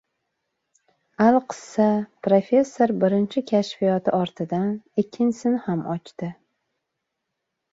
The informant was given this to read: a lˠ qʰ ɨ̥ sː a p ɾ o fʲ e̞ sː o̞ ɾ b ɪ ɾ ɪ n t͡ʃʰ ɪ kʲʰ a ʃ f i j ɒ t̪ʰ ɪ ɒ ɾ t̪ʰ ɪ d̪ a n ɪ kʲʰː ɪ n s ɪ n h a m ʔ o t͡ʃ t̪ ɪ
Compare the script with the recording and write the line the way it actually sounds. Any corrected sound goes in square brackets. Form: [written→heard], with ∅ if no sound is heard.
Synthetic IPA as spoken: a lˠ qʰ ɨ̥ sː a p ɾ o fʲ e̞ sː o̞ ɾ b ɪ ɾ ɪ n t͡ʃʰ ɪ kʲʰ a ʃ f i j ɒ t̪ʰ ɪ ɒ ɾ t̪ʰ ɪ d̪ a n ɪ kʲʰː ɪ n s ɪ n h a m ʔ [o→ɒ] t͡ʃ t̪ ɪ